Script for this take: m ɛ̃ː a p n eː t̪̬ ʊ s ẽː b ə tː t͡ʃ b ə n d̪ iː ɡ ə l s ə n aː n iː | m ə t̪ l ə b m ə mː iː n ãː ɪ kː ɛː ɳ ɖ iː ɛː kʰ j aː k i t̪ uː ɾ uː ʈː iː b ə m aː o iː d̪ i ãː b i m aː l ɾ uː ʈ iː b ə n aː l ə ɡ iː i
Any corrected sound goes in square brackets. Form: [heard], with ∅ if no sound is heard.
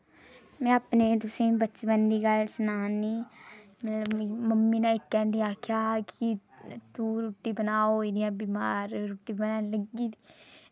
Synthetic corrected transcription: m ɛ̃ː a p n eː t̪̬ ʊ s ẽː b ə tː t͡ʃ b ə n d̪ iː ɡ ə l s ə n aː n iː | m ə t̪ l ə b m ə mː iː n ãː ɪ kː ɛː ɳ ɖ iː [aː] kʰ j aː k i t̪ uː ɾ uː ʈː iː b ə [n] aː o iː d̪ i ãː b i m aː [ɾ] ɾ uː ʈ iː b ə n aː l ə ɡ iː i

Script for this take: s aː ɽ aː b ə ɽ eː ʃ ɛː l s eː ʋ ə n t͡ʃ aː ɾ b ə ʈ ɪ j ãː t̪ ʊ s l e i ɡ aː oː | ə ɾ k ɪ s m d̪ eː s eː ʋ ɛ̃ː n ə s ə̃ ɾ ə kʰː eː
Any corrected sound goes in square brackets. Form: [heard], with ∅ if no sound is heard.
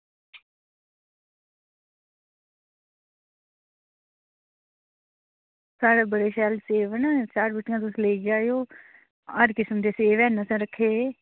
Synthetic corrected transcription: s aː ɽ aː b ə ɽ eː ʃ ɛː l s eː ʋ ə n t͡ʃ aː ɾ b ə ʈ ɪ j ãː t̪ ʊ s l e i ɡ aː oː | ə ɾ k ɪ s m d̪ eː s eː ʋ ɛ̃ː n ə s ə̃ ɾ ə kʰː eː

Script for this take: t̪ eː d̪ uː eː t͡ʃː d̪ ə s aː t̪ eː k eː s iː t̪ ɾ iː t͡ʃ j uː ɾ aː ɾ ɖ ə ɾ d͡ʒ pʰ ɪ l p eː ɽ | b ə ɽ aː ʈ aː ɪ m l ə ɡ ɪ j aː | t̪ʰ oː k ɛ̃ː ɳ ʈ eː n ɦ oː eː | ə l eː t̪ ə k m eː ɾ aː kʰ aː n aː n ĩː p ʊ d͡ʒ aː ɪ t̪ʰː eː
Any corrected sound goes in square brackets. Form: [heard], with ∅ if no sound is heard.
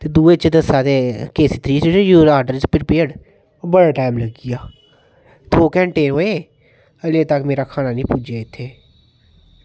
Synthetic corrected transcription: t̪ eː d̪ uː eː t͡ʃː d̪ ə s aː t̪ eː k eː s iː t̪ ɾ iː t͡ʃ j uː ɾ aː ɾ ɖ ə ɾ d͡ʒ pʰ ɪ [ɾ] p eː ɽ | b ə ɽ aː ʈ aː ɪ m l ə ɡ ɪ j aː | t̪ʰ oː k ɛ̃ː ɳ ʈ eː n ɦ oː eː | ə l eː t̪ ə k m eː ɾ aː kʰ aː n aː n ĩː p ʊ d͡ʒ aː ɪ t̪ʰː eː

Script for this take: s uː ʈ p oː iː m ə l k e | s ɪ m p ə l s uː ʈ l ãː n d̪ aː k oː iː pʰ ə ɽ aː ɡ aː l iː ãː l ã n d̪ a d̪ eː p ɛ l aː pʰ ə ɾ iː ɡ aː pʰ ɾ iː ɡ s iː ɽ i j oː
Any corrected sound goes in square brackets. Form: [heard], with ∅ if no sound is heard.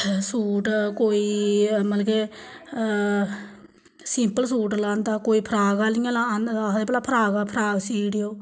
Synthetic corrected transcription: s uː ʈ [k] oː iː m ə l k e | s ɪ m p ə l s uː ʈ l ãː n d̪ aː k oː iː pʰ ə [ɾ] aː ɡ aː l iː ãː l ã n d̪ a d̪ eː p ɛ l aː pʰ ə ɾ [aː] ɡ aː pʰ ɾ [aː] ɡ s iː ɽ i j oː

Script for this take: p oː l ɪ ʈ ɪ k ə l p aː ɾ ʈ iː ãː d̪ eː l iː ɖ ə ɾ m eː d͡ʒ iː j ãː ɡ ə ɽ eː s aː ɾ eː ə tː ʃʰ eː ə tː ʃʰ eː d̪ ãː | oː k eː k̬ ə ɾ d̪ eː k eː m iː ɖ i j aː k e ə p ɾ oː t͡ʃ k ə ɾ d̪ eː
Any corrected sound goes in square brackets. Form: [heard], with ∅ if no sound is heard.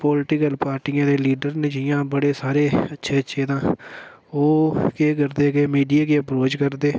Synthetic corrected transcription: p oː l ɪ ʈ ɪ k ə l p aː ɾ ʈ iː ãː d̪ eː l iː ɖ ə ɾ [n] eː d͡ʒ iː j ãː [b] ə ɽ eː s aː ɾ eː ə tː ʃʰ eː ə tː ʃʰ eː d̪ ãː | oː k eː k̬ ə ɾ d̪ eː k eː m iː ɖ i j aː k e ə p ɾ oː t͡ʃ k ə ɾ d̪ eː

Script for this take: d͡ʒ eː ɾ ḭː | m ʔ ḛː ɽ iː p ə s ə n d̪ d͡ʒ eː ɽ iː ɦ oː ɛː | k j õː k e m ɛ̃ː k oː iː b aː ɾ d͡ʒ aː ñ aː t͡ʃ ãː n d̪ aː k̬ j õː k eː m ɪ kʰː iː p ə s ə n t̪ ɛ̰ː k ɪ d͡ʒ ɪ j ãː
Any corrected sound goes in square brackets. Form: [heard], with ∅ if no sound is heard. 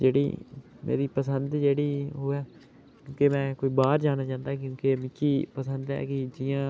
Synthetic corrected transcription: d͡ʒ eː [ɽ] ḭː | m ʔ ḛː [ɾ] iː p ə s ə n d̪ d͡ʒ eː ɽ iː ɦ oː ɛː | k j õː k e m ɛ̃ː k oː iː b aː ɾ d͡ʒ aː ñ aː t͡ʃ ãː n d̪ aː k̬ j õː k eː m ɪ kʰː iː p ə s ə n [d̪] ɛ̰ː k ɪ d͡ʒ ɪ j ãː

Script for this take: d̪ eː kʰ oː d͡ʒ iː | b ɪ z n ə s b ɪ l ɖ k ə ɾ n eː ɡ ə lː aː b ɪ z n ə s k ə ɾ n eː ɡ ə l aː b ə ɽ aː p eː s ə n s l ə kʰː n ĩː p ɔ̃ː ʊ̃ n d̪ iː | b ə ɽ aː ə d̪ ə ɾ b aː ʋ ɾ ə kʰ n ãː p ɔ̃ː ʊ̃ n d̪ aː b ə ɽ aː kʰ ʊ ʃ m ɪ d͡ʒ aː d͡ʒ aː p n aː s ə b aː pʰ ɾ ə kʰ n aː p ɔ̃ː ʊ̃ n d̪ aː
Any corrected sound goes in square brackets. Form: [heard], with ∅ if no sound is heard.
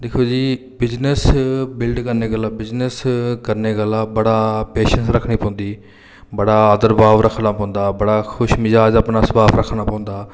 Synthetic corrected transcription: d̪ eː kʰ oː d͡ʒ iː | b ɪ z n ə s b ɪ l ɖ k ə ɾ n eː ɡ ə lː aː b ɪ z n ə s k ə ɾ n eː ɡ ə l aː b ə ɽ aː p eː [ʃ] ə n s [ɾ] ə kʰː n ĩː p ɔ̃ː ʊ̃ n d̪ iː | b ə ɽ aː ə d̪ ə ɾ b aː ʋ ɾ ə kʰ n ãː p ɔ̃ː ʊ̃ n d̪ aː b ə ɽ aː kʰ ʊ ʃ m ɪ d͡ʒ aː d͡ʒ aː p n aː s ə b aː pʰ ɾ ə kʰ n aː p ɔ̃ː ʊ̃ n d̪ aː

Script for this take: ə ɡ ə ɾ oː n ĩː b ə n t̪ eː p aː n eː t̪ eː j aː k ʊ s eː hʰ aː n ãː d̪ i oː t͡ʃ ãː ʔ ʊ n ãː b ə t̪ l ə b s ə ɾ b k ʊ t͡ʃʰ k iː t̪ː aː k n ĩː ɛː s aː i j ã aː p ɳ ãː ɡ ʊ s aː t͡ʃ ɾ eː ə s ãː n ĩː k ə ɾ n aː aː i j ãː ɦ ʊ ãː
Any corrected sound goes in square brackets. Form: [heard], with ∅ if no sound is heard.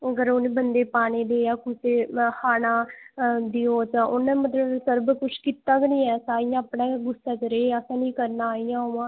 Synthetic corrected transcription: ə ɡ ə ɾ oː n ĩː b ə n [d̪] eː p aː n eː [d̪] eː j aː k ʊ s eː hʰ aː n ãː d̪ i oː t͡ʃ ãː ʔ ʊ n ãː [m] ə t̪ l ə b s ə ɾ b k ʊ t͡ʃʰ k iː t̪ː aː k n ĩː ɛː s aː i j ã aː p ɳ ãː ɡ ʊ s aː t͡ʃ ɾ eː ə s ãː n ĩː k ə ɾ n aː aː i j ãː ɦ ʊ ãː

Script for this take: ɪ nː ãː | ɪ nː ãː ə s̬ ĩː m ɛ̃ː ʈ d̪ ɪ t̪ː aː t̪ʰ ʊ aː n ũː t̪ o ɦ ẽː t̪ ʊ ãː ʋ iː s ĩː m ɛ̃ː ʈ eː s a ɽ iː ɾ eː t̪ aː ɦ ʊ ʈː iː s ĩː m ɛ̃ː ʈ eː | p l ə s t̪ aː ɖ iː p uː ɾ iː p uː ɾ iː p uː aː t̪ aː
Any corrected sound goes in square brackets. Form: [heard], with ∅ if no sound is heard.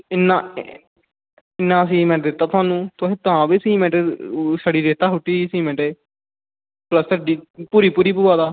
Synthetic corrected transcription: ɪ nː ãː | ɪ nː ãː ə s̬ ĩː m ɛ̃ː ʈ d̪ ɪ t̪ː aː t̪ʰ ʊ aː n ũː t̪ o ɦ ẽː t̪ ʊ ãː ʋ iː s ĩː m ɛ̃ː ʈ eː s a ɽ iː ɾ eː t̪ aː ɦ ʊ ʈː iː s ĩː m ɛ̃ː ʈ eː | p l ə s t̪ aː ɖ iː p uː ɾ iː p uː ɾ iː p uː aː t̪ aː

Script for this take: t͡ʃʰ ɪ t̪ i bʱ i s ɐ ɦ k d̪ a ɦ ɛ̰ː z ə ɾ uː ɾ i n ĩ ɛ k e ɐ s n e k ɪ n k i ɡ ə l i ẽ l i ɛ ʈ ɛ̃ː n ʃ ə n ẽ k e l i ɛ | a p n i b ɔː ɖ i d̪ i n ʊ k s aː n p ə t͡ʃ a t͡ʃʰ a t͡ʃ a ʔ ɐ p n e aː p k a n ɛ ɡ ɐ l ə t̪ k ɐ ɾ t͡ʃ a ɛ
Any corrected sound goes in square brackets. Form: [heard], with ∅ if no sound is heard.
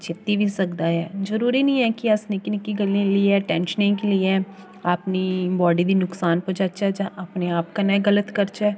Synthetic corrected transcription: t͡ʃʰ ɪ t̪ i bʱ i s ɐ [∅] k d̪ a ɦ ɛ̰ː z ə ɾ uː ɾ i n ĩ ɛ k [i] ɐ s n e k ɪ n k i ɡ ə l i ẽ l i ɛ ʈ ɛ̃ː n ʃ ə n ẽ k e l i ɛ | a p n i b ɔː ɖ i d̪ i n ʊ k s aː n p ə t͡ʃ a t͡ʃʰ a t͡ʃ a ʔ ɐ p n e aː p k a n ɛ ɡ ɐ l ə t̪ k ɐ ɾ t͡ʃ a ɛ

